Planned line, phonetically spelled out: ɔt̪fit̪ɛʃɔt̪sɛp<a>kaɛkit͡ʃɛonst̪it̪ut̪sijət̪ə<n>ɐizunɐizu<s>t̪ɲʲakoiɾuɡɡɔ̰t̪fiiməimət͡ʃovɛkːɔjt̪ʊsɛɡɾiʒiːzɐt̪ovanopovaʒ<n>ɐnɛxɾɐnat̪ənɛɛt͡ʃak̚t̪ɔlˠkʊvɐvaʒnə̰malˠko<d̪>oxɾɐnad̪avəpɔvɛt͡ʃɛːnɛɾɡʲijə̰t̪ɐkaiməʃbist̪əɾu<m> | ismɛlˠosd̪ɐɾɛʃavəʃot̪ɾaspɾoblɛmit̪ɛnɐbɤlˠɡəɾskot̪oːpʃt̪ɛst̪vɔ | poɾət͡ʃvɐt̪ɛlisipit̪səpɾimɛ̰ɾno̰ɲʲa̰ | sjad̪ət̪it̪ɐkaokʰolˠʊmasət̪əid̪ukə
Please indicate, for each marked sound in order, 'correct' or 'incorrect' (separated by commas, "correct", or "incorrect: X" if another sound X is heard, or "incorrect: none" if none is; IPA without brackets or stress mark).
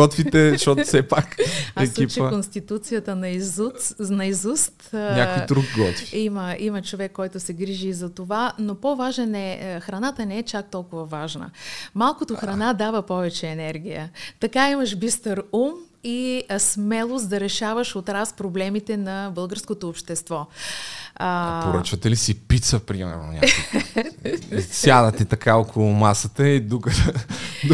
correct, correct, correct, correct, incorrect: t̪, correct